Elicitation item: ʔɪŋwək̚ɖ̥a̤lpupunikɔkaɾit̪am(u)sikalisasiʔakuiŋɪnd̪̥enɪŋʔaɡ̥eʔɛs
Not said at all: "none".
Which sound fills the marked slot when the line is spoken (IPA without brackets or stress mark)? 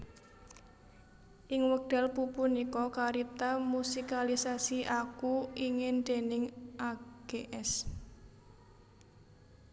u